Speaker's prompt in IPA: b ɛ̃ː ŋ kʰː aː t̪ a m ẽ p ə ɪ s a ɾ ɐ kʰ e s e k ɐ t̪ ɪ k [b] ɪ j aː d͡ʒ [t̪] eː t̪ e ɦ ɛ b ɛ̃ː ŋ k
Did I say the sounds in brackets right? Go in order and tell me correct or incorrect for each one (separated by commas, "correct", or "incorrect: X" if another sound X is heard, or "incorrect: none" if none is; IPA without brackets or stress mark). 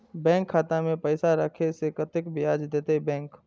correct, incorrect: d̪